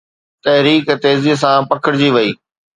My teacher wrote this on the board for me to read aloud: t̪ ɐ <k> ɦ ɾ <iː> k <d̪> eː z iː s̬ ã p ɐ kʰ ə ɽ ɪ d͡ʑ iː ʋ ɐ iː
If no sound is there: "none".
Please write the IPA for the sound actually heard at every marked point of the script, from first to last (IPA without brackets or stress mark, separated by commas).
none, iː, t̪